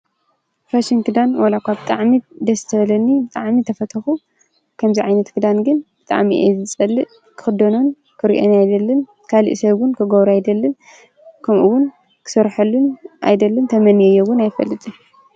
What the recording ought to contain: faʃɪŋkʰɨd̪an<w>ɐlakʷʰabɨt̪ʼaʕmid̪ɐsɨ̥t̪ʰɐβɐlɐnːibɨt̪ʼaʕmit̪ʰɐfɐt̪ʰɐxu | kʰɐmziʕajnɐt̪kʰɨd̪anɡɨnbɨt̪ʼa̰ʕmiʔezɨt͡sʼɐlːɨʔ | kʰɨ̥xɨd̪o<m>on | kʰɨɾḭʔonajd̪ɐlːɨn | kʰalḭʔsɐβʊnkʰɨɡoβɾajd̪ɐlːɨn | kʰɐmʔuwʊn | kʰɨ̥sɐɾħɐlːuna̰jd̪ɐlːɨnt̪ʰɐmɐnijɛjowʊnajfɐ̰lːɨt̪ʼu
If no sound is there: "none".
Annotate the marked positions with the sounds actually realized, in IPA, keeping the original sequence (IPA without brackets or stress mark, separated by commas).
w, n